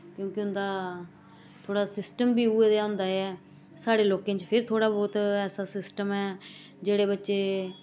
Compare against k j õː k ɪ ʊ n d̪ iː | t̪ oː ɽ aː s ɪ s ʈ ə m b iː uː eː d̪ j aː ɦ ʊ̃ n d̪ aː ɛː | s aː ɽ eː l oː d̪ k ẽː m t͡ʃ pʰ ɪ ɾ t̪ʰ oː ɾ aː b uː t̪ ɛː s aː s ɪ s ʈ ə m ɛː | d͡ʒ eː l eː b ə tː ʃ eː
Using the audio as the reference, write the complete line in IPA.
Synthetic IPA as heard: k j õː k ɪ ʊ n d̪ aː | t̪ʰ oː ɽ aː s ɪ s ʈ ə m b iː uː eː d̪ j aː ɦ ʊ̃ n d̪ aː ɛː | s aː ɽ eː l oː k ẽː t͡ʃ pʰ ɪ ɾ t̪ʰ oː ɽ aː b ɔː t̪ ɛː s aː s ɪ s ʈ ə m ɛː | d͡ʒ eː ɽ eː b ə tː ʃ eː